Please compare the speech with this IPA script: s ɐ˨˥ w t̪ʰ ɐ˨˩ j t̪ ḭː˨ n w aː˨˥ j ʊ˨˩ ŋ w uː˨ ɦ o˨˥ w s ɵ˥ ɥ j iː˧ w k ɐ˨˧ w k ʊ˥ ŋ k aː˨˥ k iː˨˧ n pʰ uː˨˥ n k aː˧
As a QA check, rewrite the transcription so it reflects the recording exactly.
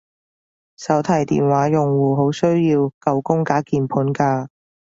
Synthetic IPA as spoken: s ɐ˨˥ w t̪ʰ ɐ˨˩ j t̪ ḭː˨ n w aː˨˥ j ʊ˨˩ ŋ w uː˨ ɦ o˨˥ w s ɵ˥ ɥ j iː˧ w k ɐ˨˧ w k ʊ˥ ŋ k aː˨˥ k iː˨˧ n pʰ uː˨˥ n k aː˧